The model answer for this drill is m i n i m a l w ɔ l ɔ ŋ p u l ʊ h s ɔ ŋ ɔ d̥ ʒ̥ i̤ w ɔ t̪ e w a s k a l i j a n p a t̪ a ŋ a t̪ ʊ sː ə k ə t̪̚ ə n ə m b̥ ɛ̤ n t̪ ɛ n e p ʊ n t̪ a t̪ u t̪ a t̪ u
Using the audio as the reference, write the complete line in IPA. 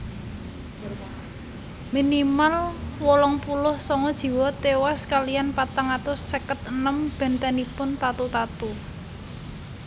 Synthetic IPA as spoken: m i n i m a l w ɔ l ɔ ŋ p u l ʊ h s ɔ ŋ ɔ d̥ ʒ̥ i̤ w ɔ t̪ e w a s k a l i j a n p a t̪ a ŋ a t̪ ʊ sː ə k ə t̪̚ ə n ə m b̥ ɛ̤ n t̪ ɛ n i p ʊ n t̪ a t̪ u t̪ a t̪ u